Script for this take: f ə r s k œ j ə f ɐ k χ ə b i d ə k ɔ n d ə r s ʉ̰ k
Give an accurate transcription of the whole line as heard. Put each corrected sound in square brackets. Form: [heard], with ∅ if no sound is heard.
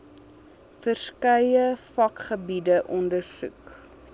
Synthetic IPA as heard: f ə r s k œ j ə f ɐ k χ ə b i d ə [ʔ] ɔ n d ə r s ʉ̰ k

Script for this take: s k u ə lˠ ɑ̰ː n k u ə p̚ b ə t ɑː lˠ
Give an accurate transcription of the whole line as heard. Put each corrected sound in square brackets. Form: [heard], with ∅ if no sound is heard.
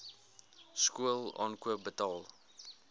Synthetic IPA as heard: s k u ə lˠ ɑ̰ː n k u ə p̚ b ə t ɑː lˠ

